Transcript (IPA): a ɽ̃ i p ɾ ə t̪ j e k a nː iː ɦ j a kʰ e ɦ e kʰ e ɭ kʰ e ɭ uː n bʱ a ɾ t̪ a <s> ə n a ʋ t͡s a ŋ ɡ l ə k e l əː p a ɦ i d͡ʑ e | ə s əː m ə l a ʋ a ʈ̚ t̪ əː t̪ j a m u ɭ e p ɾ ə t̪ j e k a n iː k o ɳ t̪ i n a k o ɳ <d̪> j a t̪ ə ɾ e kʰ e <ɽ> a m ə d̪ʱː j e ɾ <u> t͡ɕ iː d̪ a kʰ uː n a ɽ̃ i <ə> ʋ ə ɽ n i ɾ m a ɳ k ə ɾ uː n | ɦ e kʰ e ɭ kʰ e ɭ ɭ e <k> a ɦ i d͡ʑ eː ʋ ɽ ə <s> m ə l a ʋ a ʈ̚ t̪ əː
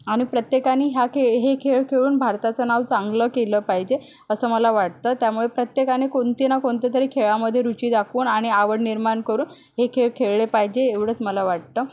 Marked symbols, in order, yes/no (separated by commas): no, no, no, yes, no, no, no